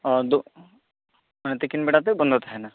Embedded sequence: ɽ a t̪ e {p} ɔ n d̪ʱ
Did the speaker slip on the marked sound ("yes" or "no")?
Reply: yes